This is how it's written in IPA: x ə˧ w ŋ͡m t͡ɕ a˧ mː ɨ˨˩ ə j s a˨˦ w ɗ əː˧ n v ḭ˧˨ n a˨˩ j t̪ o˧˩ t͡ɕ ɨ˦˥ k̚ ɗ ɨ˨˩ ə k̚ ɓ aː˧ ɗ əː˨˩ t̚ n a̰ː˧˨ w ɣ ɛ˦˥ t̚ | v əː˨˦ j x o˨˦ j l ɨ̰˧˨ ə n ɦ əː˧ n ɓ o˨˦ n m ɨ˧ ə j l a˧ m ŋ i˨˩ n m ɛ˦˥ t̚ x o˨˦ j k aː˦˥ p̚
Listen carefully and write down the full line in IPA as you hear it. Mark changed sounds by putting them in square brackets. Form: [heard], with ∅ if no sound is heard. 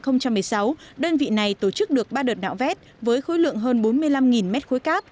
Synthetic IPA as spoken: x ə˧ w ŋ͡m t͡ɕ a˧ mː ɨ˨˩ ə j s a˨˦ w ɗ əː˧ n v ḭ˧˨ n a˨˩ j t̪ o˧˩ t͡ɕ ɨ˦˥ k̚ ɗ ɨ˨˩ ə k̚ ɓ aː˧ ɗ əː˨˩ t̚ n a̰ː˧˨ w [v] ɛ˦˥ t̚ | v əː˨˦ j x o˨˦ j l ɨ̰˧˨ ə [ŋ] ɦ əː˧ n ɓ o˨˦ n m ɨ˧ ə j l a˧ m ŋ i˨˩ n m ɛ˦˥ t̚ x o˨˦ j k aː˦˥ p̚